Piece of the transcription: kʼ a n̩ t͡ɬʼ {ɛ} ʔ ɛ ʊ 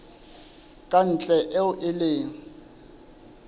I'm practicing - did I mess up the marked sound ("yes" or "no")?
no